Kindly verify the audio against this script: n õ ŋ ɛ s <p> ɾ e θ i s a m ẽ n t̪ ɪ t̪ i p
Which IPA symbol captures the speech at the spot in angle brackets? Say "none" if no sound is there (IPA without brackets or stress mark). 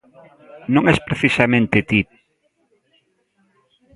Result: p